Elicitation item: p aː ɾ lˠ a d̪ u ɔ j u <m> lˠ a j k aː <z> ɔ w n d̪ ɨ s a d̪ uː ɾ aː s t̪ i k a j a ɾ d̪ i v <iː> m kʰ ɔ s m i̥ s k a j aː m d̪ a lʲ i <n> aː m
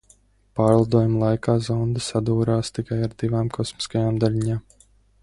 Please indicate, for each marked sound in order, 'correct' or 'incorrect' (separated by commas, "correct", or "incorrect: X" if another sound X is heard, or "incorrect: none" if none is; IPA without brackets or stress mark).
correct, correct, incorrect: aː, incorrect: ɲ